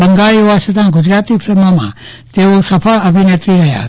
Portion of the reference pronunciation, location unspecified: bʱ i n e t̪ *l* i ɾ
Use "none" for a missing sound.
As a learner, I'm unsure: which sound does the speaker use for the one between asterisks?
ɾ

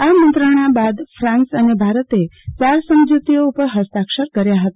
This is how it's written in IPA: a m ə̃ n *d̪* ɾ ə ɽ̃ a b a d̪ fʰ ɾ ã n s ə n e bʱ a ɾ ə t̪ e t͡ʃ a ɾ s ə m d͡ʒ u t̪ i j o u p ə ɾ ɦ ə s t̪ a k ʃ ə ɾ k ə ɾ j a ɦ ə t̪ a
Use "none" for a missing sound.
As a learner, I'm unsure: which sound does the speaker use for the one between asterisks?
t̪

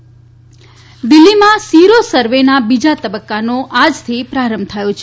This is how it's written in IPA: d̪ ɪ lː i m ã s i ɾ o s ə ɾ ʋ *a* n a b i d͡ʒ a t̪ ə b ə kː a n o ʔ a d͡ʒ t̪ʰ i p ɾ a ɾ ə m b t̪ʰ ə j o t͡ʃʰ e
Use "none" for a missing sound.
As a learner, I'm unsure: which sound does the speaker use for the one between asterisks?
e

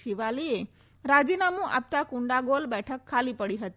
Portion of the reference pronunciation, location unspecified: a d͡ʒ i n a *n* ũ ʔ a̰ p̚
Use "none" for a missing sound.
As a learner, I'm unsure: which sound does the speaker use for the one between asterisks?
m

